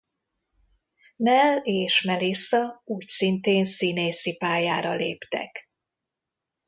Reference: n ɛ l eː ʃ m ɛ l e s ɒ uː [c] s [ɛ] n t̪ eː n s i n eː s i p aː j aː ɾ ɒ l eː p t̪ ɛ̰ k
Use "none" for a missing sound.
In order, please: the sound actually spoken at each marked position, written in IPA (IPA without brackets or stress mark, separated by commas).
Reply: c, i